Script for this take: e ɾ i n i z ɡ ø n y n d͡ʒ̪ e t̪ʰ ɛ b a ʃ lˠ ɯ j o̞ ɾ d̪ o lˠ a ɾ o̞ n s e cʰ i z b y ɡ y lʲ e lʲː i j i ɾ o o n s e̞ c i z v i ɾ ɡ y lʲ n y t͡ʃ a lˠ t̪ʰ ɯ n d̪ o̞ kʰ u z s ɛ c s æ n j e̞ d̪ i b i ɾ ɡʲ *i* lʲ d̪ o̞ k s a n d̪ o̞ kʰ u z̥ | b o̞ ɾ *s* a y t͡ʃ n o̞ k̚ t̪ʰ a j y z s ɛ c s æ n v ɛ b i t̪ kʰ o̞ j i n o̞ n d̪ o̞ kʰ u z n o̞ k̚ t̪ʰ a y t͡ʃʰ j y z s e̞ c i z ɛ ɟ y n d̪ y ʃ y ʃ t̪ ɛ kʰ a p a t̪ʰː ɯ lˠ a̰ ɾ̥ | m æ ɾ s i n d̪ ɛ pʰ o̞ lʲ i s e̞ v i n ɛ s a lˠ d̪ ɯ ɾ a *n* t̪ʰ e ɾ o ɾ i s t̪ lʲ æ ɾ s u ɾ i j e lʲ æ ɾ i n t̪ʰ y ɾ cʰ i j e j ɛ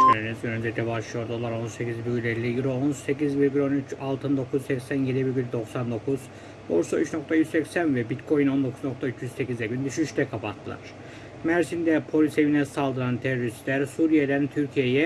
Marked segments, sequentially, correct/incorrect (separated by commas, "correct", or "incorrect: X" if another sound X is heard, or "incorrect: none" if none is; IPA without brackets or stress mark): incorrect: y, correct, correct